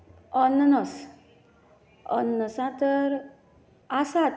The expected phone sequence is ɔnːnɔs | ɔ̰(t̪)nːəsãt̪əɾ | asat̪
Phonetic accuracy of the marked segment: incorrect: none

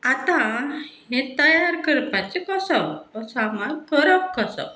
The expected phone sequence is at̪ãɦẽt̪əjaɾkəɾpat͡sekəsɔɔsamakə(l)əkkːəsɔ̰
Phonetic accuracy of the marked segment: incorrect: ɾ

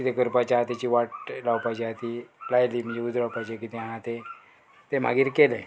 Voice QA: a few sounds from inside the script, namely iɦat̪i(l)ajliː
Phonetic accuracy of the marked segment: correct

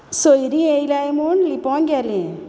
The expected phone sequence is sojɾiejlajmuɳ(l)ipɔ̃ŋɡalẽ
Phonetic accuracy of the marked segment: correct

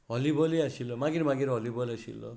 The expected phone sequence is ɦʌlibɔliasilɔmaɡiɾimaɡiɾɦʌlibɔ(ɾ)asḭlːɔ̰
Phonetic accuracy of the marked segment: incorrect: l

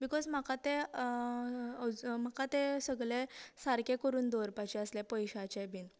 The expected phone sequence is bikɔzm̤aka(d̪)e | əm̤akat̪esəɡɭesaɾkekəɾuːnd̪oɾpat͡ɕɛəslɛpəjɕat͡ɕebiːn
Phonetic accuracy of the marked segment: incorrect: t̪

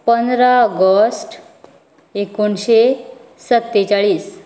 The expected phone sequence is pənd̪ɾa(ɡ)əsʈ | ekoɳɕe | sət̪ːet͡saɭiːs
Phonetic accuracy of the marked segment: correct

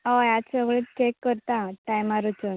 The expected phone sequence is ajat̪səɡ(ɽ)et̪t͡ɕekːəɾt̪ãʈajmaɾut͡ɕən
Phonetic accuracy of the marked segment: incorrect: ɭ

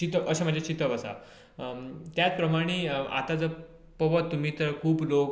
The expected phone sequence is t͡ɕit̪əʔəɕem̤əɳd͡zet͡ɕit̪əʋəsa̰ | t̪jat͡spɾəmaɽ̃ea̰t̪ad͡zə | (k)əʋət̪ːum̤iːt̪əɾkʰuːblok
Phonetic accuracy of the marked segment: incorrect: p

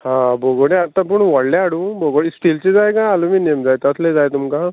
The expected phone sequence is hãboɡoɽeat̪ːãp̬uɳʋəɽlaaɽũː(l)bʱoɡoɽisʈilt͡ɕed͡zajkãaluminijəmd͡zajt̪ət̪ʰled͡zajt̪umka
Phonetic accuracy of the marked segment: incorrect: none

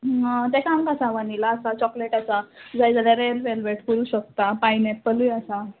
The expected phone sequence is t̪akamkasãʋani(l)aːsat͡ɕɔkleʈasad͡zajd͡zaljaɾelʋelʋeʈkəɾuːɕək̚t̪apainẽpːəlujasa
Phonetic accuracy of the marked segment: correct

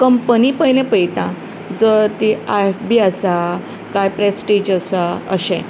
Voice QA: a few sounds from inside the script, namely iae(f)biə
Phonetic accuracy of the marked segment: correct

